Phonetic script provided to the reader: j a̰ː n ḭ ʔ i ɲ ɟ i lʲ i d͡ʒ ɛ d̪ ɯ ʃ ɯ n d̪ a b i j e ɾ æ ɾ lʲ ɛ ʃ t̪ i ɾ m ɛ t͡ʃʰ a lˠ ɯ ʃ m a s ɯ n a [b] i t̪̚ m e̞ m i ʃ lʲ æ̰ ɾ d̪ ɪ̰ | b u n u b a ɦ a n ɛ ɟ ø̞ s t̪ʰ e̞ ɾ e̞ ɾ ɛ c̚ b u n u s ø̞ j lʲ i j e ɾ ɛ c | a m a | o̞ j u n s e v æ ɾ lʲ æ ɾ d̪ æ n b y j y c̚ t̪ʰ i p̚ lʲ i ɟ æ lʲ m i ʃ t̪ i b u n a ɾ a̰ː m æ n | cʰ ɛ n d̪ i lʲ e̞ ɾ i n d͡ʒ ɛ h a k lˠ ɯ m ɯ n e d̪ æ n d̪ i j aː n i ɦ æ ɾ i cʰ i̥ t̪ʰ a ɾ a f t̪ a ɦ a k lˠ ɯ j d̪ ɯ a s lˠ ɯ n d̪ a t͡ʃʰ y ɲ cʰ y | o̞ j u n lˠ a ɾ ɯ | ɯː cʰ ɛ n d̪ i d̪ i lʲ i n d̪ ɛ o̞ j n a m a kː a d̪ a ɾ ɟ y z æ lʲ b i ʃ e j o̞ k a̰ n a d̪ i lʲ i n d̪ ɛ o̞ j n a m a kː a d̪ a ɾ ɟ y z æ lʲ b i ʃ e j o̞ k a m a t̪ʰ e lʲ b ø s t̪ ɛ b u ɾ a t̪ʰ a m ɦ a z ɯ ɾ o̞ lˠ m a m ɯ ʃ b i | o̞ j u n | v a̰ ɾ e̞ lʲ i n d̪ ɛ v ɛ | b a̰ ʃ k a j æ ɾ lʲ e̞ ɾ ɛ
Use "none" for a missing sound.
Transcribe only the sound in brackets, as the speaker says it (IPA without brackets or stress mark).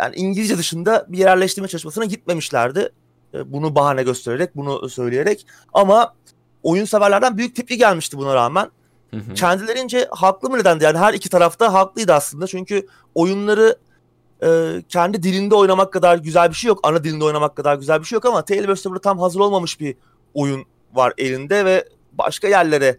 ɟ